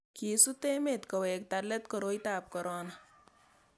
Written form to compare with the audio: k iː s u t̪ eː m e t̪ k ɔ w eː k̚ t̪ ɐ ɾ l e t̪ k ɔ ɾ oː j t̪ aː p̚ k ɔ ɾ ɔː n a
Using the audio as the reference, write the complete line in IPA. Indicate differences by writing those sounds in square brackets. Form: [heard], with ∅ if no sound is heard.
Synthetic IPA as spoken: k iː s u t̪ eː m e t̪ k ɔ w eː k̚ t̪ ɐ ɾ l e t̪ k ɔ ɾ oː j t̪ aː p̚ k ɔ ɾ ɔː n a